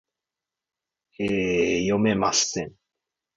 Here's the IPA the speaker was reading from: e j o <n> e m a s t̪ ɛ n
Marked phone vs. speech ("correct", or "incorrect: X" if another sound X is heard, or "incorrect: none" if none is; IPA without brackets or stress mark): incorrect: m